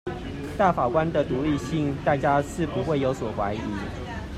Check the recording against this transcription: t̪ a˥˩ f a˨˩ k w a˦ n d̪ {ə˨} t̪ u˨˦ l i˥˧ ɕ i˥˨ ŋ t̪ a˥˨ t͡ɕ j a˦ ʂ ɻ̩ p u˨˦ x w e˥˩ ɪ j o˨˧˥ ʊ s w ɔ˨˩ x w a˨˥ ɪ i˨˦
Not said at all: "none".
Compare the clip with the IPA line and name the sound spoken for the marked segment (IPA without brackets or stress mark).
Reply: ə˨